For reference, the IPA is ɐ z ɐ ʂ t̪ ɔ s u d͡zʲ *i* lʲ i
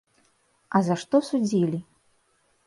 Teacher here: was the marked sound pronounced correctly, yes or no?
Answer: yes